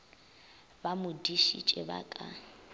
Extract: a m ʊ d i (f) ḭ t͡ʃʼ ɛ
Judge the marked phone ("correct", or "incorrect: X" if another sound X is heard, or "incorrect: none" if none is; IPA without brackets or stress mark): incorrect: ʃ